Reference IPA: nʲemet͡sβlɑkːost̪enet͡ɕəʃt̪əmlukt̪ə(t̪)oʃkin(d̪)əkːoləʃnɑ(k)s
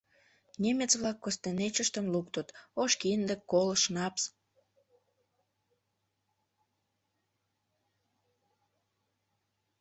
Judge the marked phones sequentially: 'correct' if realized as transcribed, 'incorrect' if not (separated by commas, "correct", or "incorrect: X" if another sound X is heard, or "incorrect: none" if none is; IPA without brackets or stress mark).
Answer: correct, correct, incorrect: p